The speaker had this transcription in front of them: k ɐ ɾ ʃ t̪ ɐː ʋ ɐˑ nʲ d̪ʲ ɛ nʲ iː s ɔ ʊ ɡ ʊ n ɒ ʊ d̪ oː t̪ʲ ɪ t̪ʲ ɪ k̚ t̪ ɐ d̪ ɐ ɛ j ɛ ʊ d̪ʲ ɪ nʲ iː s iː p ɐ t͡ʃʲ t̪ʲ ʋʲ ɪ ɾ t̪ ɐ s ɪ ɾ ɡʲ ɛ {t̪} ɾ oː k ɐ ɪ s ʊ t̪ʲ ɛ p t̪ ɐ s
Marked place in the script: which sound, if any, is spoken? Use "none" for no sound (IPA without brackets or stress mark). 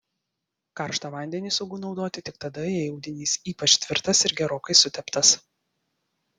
none